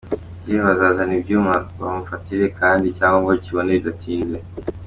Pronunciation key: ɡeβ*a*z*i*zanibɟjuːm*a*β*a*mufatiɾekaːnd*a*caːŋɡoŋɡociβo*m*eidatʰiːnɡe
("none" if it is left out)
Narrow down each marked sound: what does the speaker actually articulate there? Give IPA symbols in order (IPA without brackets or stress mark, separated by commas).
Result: a, a, a, a, i, n